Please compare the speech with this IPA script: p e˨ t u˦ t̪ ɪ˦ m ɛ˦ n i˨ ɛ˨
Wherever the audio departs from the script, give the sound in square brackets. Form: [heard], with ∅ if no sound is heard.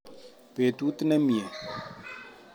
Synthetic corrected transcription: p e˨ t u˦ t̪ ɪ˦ [n] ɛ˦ [m] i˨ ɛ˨